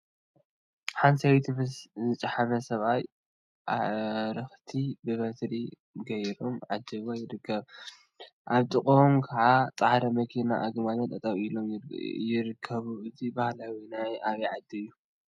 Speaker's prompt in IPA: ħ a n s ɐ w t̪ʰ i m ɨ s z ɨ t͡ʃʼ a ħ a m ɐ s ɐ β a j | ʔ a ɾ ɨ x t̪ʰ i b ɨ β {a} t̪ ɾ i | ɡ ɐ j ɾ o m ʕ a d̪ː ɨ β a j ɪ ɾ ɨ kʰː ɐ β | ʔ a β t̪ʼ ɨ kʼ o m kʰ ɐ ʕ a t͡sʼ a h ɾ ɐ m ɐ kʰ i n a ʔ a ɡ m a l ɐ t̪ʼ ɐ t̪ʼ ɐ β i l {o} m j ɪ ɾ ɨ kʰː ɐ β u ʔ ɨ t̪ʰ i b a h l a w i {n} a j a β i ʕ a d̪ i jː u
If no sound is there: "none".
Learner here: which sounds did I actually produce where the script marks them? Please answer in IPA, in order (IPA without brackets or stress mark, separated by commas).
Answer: ɐ, o, n